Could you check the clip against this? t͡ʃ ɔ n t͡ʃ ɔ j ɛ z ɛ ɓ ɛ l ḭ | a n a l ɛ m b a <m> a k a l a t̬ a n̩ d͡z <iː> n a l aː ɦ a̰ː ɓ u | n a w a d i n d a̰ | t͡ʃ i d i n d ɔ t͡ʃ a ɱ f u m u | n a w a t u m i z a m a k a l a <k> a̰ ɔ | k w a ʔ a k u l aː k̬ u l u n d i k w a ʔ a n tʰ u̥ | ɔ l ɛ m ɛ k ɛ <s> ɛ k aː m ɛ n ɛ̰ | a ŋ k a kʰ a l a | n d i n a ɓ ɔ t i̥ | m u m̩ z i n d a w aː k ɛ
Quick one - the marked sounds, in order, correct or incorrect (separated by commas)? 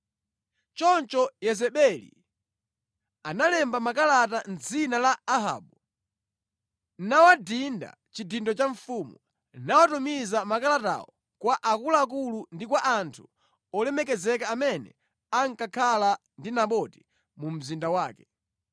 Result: correct, incorrect, incorrect, incorrect